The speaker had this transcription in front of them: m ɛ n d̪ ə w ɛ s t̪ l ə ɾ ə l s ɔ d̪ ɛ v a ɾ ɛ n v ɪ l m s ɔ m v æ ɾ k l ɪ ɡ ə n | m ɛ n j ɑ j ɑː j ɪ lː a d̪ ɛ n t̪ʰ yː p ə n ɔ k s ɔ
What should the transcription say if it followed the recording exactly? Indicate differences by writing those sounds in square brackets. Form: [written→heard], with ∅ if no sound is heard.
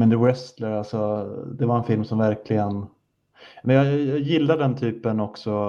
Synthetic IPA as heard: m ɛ n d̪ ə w ɛ s t̪ l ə ɾ [ə→a] l s ɔ d̪ ɛ v a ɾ ɛ n [v→f] ɪ l m s ɔ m v æ ɾ k l ɪ ɡ ə n | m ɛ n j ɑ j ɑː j ɪ lː a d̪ ɛ n t̪ʰ yː p ə n ɔ k s ɔ